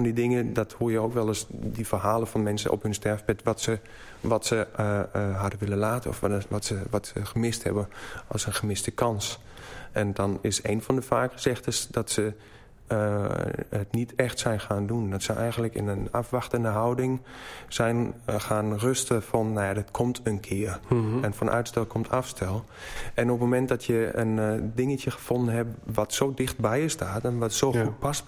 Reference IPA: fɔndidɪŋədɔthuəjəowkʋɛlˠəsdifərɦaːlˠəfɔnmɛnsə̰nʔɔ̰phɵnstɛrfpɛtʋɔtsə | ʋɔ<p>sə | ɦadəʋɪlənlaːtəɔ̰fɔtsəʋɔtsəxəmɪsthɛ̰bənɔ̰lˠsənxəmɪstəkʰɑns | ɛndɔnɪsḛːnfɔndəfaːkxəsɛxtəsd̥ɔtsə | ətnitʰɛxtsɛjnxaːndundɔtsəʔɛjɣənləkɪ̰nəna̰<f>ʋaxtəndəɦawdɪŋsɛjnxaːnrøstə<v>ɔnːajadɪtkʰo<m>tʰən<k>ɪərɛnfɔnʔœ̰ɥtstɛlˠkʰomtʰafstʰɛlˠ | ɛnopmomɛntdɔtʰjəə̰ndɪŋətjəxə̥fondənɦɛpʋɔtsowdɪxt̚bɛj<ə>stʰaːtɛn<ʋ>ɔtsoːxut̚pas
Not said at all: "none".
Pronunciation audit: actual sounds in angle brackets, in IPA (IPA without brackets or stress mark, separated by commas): t, f, f, m, kʰ, ə, ʋ